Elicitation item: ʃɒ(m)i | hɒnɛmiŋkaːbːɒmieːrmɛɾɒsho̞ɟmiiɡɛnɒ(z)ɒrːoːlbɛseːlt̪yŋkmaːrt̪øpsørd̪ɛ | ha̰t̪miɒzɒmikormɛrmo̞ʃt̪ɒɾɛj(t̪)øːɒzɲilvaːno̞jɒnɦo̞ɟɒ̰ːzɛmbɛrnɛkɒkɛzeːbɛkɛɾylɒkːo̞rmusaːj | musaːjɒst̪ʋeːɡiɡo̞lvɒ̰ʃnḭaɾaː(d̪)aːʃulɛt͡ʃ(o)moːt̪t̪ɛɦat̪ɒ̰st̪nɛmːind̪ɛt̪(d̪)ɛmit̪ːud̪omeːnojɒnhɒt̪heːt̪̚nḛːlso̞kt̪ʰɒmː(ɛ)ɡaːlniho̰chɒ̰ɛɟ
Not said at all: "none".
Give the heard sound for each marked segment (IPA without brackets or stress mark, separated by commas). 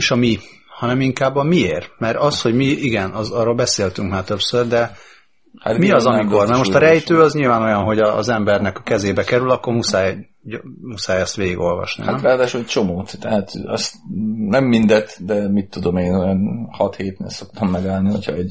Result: m, z, t̪, d̪, o, d̪, ɛ